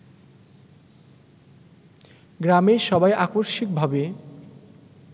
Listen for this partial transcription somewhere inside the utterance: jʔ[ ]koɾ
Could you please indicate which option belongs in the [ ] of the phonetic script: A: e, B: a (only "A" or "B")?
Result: B